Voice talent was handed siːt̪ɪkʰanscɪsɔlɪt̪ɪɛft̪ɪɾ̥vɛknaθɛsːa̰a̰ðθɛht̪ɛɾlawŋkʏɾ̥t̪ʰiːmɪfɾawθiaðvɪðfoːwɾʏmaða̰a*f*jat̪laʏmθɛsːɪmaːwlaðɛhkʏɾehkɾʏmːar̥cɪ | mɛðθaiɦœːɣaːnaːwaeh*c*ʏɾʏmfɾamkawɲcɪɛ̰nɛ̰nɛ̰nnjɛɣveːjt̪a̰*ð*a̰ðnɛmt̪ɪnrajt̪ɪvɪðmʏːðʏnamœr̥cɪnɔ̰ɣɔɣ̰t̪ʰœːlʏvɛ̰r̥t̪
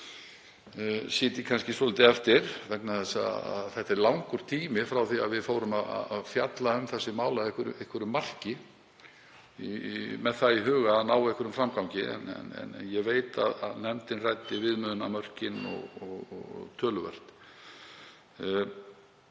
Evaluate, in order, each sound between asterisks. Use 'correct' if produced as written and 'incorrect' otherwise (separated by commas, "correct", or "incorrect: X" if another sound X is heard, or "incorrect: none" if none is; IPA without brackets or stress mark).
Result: correct, incorrect: k, correct